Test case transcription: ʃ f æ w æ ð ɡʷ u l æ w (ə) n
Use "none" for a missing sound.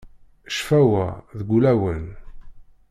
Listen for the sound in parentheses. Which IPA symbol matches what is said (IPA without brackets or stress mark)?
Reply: ə